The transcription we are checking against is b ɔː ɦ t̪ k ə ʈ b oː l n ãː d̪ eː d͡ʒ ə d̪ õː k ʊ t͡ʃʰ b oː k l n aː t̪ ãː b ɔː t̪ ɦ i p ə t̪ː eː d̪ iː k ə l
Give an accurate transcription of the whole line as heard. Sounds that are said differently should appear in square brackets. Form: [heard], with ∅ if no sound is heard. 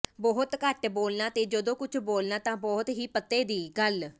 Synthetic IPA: b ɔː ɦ t̪ k ə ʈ b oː l n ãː [t̪] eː d͡ʒ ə d̪ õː k ʊ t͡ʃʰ b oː [∅] l n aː t̪ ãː b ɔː t̪ ɦ [iː] p ə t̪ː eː d̪ iː [ɡ] ə l